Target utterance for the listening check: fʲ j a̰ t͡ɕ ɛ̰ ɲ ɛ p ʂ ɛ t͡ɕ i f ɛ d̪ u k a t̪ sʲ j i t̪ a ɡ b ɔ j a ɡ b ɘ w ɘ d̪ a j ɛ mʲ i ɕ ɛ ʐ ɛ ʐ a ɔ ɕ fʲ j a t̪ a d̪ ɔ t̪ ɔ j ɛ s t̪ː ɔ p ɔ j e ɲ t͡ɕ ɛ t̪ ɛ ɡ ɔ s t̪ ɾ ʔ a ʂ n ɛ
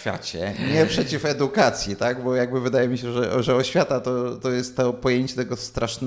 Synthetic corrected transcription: fʲ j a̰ t͡ɕ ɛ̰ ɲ ɛ p ʂ ɛ t͡ɕ i f ɛ d̪ u k a t̪ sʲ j i t̪ a ɡ b ɔ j a ɡ b ɘ v ɘ d̪ a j ɛ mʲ i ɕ ɛ ʐ ɛ ʐ ɛ ɔ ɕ fʲ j a t̪ a t̪ ɔ t̪ ɔ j ɛ s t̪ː ɔ p ɔ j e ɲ t͡ɕ ɛ t̪ ɛ ɡ ɔ s t̪ ɾ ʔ a ʂ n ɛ